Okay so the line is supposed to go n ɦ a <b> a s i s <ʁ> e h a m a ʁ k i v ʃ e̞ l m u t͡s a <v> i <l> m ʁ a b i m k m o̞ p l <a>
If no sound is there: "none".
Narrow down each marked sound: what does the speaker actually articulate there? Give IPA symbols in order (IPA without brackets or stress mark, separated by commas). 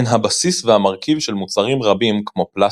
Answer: b, v, ʁ, none, a